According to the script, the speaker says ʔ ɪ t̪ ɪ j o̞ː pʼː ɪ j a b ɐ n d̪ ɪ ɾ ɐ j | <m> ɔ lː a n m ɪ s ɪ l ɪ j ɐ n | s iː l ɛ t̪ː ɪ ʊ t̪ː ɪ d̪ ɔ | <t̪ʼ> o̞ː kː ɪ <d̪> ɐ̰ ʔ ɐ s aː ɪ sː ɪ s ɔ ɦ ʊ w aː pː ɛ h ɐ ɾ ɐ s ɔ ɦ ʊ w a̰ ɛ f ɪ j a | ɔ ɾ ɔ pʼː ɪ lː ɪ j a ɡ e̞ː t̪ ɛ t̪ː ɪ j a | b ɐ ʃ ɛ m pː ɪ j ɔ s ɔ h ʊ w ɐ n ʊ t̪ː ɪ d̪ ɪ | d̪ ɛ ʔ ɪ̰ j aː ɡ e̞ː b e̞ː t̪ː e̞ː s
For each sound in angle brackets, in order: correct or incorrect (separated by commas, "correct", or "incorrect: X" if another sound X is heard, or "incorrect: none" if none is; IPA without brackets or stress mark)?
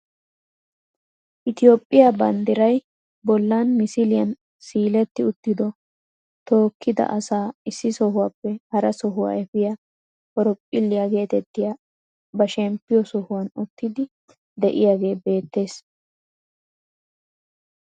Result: incorrect: b, incorrect: t̪, correct